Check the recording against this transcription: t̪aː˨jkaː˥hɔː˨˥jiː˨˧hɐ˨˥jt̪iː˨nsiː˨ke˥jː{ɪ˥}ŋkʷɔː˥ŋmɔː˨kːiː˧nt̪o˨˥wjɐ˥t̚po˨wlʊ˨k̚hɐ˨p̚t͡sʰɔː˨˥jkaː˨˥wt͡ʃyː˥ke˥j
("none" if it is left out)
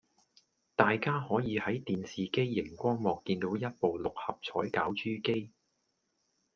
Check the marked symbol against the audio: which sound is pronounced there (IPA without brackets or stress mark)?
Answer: ɪ˨˩